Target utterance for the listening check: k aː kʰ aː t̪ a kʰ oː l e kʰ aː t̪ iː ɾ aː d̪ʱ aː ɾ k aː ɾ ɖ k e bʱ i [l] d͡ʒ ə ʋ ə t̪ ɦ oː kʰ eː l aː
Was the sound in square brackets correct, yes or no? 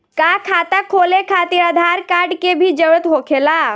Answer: no